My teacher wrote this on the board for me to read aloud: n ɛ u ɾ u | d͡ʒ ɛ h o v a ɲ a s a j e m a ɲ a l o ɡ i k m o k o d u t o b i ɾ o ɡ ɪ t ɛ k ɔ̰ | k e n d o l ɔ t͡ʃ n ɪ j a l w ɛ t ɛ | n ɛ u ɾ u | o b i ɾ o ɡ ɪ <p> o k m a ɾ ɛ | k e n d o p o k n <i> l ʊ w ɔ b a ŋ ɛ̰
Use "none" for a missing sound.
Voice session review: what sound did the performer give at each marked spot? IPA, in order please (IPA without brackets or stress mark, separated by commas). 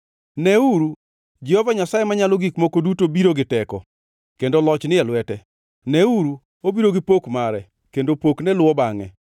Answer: p, ɛ